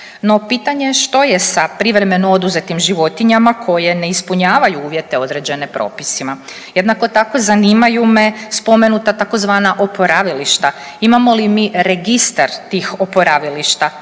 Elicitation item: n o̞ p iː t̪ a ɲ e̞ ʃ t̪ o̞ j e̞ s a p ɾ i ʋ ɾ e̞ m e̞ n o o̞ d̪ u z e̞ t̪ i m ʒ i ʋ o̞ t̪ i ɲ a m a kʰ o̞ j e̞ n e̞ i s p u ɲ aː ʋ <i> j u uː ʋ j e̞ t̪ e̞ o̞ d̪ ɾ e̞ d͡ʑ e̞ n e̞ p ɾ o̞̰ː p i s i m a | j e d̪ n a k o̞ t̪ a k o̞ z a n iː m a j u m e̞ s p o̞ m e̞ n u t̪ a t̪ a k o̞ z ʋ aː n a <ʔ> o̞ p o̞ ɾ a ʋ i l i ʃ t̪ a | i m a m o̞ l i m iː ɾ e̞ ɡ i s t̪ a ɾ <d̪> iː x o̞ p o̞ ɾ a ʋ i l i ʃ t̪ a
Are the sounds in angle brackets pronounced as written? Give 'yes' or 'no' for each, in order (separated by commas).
no, yes, no